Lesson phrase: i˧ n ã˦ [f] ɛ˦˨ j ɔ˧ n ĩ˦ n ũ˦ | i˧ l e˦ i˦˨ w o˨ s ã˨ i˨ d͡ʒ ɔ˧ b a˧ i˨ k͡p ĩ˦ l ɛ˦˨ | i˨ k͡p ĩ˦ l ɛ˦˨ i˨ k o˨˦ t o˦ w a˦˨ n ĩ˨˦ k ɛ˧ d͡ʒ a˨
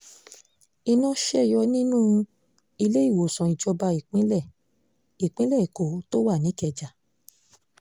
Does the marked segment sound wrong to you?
yes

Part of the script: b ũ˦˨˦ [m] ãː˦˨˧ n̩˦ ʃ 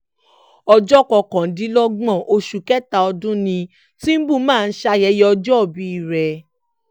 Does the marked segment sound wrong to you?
no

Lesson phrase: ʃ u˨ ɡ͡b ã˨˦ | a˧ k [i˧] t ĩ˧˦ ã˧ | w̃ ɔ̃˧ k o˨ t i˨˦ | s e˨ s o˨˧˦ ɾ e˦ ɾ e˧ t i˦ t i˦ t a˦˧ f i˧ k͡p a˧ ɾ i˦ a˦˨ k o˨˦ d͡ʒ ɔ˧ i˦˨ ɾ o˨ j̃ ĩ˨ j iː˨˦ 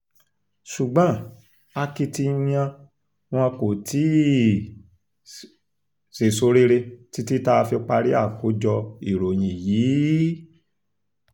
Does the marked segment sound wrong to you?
no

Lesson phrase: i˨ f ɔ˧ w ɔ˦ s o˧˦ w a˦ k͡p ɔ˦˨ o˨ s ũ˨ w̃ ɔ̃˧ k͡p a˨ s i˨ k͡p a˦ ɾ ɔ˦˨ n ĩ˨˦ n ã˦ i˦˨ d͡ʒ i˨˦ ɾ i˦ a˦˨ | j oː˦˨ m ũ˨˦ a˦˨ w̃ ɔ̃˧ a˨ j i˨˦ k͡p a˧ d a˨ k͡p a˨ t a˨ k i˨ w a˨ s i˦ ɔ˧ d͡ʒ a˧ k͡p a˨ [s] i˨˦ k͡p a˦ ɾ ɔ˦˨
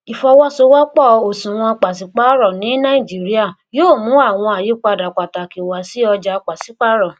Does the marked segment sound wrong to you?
no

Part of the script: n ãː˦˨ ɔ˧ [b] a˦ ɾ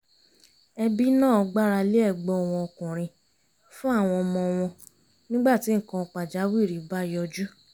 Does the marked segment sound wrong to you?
yes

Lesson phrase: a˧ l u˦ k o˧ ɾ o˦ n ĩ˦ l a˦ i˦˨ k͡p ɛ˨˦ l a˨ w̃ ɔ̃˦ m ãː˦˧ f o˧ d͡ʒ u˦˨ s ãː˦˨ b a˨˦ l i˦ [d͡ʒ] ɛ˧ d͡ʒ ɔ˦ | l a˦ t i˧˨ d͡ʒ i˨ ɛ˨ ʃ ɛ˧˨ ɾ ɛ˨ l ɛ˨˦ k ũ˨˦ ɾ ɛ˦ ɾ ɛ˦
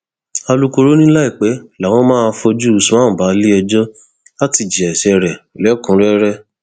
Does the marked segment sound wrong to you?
yes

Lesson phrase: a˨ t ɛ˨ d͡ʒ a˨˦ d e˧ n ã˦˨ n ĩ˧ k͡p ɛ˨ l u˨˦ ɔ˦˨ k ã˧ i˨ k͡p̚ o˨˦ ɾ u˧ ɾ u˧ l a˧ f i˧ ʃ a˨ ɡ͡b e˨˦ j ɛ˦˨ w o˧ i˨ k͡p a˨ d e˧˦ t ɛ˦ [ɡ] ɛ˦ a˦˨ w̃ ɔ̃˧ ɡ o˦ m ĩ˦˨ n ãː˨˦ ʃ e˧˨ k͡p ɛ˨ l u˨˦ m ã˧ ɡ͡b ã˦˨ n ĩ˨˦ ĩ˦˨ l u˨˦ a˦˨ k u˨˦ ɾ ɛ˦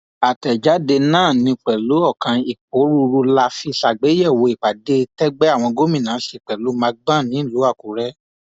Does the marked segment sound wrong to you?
yes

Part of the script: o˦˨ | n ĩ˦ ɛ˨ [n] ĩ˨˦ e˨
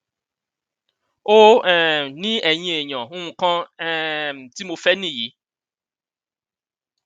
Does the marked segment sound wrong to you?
yes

